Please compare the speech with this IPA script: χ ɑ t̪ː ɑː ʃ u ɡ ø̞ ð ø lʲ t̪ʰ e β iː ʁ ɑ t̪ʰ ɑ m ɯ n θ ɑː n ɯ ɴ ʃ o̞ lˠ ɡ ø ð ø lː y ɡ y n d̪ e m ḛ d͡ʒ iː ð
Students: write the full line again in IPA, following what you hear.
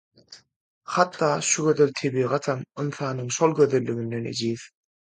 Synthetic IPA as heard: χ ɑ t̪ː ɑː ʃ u ɡ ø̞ ð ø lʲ t̪ʰ e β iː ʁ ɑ t̪ʰ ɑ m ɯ n θ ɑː n ɯ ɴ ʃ o̞ lˠ ɡ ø ð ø lː y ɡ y n d̪ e n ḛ d͡ʒ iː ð